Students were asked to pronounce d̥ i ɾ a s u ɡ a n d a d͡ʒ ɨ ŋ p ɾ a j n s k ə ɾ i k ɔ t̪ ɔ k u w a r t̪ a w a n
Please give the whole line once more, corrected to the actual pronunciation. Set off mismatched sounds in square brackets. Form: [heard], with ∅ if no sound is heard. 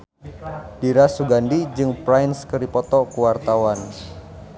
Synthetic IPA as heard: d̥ i ɾ a s u ɡ a n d [i] d͡ʒ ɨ ŋ p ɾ a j n s k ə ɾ i [p] ɔ t̪ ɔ k u w a r t̪ a w a n